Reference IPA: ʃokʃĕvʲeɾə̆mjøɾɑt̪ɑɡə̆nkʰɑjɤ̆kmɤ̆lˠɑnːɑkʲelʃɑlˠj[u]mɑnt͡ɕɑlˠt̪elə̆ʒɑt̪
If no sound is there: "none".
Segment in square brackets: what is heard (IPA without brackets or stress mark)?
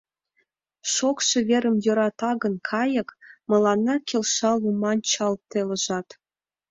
u